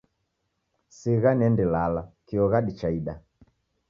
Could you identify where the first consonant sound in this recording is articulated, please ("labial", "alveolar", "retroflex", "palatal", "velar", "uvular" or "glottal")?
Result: alveolar